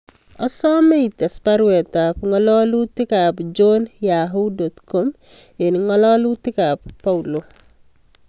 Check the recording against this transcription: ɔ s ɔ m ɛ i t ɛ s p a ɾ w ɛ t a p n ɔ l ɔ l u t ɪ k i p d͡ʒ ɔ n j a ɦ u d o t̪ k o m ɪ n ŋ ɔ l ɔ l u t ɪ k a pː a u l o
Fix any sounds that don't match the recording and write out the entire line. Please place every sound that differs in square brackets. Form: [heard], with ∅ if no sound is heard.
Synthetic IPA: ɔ s ɔ m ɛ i t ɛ s p a ɾ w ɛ t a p [ŋ] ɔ l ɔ l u t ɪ k [a] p d͡ʒ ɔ n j a ɦ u d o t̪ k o m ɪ n ŋ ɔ l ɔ l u t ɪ k a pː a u l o